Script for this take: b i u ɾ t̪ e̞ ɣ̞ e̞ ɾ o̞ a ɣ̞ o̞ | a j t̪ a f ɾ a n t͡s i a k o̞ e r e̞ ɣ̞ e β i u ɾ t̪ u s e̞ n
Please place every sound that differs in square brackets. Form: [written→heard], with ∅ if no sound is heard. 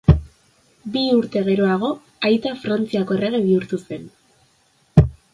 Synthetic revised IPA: b i u ɾ t̪ e̞ ɣ̞ e̞ ɾ o̞ a ɣ̞ o̞ | a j t̪ a f ɾ a n t͡s i a k o̞ e r e̞ ɣ̞ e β i u ɾ t̪ u s e̞ n